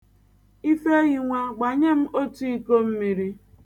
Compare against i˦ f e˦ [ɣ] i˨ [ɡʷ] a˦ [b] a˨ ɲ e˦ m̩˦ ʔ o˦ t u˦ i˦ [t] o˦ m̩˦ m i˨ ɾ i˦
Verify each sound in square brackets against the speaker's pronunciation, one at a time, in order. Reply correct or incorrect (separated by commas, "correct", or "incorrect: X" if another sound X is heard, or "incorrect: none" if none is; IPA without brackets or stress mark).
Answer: correct, incorrect: ŋʷ, incorrect: ɡ͡b, incorrect: k